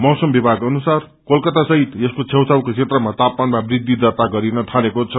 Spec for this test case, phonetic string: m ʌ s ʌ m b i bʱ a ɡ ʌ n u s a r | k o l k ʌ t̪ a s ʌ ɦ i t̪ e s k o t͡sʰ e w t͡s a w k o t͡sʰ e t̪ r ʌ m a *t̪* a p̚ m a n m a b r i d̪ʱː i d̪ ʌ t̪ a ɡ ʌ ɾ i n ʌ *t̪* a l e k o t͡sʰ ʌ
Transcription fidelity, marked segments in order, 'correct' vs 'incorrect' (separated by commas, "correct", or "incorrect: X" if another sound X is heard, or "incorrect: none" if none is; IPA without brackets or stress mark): correct, incorrect: t̪ʰ